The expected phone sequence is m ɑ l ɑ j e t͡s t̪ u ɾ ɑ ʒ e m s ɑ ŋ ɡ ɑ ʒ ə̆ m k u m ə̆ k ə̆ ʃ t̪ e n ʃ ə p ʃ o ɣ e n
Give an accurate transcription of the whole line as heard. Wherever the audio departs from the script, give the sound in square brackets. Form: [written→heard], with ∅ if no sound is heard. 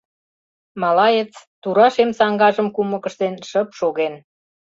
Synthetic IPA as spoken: m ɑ l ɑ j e t͡s t̪ u ɾ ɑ [ʒ→ʃ] e m s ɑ ŋ ɡ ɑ ʒ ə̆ m k u m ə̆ k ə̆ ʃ t̪ e n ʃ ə p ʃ o ɣ e n